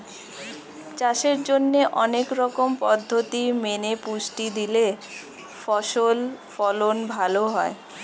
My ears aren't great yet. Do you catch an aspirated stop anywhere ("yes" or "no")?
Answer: no